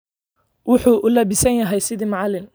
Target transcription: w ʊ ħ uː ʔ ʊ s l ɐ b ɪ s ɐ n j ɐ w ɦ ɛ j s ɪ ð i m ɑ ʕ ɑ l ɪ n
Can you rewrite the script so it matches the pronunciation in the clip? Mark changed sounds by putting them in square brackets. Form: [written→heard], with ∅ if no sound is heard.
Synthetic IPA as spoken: w ʊ ħ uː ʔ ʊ [s→∅] l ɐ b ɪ s ɐ n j ɐ [w→∅] ɦ ɛ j s ɪ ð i m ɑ ʕ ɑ l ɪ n